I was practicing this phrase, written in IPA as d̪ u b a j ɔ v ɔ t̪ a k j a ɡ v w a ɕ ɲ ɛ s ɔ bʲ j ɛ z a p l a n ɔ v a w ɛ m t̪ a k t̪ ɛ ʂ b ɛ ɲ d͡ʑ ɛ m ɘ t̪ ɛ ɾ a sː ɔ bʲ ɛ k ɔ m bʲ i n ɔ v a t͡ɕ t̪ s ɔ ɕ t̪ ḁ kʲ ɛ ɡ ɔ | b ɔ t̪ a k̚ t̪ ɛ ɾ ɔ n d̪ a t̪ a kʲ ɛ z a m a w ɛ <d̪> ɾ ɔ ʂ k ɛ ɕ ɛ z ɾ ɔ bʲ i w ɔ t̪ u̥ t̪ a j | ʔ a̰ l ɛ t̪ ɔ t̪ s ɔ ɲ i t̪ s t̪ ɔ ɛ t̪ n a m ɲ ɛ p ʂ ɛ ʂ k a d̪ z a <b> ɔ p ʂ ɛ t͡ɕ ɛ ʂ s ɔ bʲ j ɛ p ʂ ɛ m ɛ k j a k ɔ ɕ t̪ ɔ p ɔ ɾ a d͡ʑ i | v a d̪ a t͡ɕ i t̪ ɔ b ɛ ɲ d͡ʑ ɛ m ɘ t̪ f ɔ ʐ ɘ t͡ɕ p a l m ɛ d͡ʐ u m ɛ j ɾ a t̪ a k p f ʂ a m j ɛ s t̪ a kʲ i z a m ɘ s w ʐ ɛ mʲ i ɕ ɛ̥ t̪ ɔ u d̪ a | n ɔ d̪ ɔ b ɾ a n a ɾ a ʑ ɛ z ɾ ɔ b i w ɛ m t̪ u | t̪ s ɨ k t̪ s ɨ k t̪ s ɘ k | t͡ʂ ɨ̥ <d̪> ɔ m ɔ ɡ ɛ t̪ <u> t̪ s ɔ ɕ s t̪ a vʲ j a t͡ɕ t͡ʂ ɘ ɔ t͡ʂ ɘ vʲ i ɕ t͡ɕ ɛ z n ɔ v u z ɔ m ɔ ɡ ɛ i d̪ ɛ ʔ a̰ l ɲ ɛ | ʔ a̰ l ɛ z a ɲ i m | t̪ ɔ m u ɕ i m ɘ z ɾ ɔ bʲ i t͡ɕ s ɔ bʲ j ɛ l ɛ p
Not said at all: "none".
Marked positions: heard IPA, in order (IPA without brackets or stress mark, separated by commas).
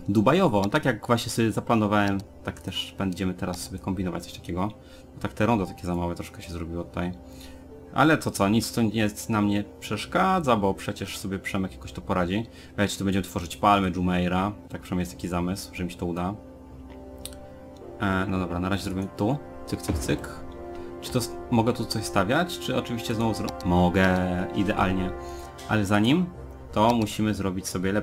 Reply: t̪, b, t̪, u